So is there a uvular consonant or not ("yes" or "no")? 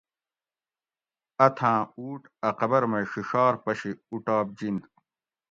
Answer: yes